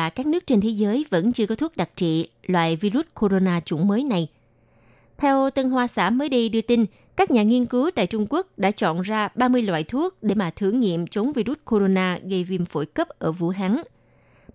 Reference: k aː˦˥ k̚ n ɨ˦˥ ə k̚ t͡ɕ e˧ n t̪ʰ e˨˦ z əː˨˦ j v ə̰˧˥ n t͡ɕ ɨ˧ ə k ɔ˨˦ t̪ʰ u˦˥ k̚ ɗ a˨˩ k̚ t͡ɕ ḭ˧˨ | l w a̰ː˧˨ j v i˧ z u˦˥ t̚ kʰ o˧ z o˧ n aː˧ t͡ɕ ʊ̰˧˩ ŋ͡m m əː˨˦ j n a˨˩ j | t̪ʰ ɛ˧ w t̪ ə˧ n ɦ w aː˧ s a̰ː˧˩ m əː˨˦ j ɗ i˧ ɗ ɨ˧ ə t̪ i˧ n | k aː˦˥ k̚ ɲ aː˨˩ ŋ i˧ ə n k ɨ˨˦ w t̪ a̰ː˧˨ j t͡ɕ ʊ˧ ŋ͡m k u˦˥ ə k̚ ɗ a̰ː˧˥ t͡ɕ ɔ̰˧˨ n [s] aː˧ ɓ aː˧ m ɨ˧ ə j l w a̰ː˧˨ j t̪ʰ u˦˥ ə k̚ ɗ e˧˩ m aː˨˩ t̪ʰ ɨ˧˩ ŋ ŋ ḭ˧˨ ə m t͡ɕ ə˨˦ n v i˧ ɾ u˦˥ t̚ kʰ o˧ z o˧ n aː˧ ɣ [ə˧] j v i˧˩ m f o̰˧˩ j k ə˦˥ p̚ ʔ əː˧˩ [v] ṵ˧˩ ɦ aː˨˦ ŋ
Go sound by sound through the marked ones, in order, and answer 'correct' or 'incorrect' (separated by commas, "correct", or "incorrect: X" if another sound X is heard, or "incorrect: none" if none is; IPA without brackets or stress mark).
incorrect: z, correct, correct